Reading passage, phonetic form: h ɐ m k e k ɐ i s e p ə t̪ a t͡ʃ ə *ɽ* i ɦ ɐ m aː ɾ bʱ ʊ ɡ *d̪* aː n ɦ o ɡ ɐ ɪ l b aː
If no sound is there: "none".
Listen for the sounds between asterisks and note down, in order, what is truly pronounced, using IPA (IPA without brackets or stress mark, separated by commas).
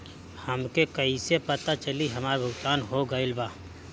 l, t̪